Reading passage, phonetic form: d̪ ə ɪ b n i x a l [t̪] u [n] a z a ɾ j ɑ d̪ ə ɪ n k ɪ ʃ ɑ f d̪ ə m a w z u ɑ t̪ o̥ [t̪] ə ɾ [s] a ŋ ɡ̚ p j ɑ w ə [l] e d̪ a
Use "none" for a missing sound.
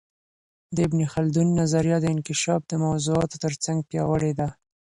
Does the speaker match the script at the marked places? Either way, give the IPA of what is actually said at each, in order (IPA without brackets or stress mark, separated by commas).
d̪, nː, t̪, t͡s, ɽ